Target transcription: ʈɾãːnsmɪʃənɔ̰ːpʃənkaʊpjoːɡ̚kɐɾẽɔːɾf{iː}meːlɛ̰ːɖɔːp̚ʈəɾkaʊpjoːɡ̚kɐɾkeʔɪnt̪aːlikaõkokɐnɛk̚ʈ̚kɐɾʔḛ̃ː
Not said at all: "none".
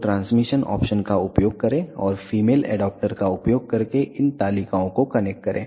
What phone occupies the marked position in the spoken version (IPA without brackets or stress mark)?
iː